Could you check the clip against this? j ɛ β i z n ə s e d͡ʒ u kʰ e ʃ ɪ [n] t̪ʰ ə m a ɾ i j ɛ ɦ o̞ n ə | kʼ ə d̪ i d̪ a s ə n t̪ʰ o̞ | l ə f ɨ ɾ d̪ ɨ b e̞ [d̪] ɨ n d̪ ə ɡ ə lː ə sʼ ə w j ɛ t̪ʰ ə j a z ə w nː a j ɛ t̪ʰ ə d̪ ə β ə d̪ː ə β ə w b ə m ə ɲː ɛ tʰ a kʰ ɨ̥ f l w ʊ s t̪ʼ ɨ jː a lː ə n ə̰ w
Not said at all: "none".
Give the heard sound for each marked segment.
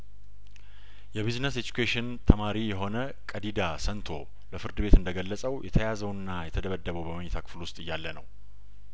n, t̪

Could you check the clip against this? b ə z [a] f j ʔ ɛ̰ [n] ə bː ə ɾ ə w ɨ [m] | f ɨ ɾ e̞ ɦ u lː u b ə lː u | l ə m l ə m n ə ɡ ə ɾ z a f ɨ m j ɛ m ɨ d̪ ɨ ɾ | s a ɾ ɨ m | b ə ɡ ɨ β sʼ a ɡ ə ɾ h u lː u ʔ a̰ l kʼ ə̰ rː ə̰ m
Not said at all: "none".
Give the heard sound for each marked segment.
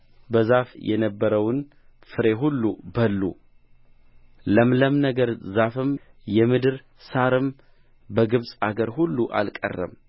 a, n, n

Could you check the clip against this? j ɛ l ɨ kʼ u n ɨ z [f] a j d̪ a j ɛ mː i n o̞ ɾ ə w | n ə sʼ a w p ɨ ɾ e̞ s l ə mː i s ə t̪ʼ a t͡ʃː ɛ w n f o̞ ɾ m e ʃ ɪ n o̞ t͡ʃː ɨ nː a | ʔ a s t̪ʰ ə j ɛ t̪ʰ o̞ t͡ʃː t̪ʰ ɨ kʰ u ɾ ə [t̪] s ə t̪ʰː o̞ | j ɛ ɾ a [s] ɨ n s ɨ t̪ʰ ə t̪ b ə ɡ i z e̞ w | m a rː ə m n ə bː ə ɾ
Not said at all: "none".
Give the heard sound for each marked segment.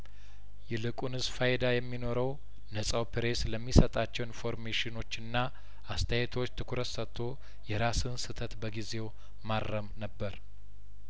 f, t̪, s

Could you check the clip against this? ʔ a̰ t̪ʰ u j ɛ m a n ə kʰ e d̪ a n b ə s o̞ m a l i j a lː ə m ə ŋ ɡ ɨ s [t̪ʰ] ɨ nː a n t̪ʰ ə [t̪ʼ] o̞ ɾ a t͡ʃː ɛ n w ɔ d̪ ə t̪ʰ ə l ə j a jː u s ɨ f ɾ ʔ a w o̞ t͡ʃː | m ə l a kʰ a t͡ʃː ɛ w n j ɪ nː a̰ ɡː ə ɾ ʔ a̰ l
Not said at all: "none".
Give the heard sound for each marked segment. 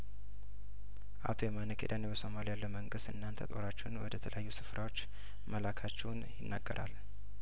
t̪, t̪ʼ

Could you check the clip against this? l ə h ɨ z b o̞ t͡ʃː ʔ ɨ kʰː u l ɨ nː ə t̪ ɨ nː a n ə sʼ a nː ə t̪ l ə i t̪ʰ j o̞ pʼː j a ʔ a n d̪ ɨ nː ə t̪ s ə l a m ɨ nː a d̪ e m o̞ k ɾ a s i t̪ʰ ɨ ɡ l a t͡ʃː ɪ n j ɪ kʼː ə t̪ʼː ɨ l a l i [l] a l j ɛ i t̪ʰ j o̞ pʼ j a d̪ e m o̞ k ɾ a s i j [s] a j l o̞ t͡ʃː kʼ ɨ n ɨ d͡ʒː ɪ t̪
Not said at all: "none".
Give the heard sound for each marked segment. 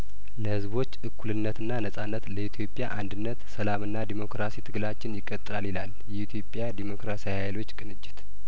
l, h

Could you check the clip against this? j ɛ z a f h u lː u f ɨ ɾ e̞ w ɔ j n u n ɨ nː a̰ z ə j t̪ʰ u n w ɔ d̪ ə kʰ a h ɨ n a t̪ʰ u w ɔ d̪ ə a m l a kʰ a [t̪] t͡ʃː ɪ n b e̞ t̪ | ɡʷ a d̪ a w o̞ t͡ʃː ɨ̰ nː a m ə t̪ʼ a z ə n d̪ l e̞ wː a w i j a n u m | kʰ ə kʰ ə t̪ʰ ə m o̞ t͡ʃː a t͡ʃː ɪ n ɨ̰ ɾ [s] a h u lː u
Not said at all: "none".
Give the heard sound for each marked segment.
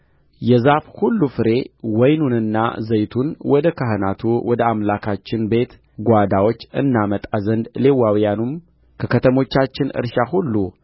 none, ʃ

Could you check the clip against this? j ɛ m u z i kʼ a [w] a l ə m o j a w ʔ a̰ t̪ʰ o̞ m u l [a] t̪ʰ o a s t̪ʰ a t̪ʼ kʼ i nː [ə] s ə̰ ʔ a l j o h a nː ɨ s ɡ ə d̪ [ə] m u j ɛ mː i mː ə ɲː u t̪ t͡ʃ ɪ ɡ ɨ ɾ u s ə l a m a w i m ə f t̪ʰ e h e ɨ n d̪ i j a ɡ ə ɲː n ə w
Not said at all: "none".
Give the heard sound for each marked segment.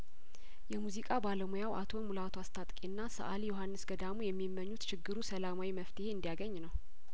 b, a, a, a

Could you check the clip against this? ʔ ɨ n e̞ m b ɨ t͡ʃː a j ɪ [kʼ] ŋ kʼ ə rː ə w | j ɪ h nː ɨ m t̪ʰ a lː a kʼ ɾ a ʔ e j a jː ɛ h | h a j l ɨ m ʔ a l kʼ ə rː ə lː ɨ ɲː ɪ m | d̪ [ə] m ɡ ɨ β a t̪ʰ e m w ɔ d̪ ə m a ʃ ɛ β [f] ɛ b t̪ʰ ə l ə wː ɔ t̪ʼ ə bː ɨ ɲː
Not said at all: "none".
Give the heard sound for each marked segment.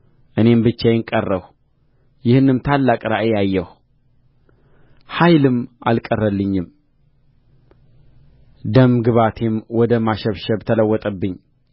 none, ə, ʃ

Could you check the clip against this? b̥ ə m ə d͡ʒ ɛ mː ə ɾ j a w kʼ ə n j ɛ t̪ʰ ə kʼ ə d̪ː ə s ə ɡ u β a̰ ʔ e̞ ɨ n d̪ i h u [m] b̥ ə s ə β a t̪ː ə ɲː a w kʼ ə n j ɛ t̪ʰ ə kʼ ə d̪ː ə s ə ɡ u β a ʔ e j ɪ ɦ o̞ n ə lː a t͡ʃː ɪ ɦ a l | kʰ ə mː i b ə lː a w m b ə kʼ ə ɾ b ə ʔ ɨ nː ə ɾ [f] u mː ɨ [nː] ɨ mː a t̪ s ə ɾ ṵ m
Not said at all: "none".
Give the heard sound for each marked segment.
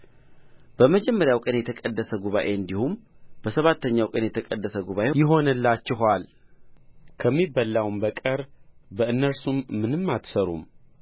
m, s, n

